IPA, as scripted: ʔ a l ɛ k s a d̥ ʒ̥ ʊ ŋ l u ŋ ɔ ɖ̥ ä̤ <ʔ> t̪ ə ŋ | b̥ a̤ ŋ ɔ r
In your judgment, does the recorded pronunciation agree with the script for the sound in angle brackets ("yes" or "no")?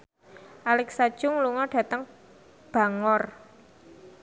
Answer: no